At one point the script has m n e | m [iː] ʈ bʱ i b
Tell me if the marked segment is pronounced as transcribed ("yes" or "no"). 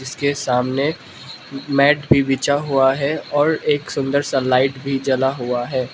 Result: no